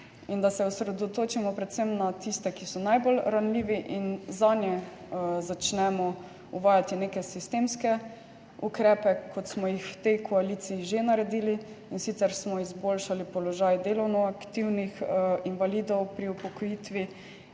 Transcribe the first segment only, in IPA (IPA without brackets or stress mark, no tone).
i